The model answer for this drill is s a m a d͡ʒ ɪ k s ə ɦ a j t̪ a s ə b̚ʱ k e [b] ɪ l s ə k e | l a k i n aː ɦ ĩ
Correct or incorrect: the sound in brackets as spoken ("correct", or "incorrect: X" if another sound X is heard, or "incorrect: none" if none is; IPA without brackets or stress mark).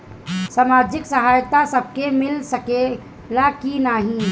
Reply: incorrect: m